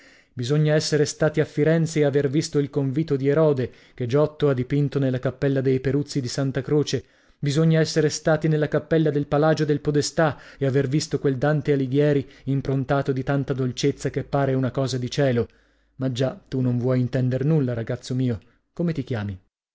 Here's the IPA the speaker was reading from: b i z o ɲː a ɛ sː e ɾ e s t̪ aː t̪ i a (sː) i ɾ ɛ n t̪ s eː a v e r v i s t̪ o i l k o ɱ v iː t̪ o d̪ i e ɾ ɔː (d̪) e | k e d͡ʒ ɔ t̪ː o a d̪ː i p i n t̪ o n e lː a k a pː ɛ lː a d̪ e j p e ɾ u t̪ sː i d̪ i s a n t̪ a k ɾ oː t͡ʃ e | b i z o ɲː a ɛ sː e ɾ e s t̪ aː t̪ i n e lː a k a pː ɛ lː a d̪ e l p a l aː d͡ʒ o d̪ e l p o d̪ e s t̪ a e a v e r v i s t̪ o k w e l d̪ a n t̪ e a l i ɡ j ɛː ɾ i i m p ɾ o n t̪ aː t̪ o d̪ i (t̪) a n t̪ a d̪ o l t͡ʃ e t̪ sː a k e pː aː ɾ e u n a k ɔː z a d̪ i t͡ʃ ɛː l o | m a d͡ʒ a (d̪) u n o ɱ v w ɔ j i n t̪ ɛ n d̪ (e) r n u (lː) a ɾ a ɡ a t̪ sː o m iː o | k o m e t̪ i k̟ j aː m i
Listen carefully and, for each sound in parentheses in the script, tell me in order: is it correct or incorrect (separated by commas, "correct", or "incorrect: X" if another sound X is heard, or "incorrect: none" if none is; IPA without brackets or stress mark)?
incorrect: fː, correct, correct, incorrect: t̪, correct, correct